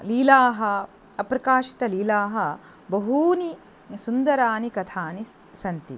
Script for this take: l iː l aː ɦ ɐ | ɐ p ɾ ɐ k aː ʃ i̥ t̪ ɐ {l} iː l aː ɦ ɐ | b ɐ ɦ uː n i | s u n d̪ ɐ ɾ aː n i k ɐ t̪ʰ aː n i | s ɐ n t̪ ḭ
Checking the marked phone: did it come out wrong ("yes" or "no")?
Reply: no